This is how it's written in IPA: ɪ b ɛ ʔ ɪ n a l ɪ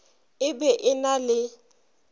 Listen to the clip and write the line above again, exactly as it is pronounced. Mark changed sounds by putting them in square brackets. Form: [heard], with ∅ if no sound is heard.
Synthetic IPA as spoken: ɪ b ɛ ʔ ɪ n a l ɪ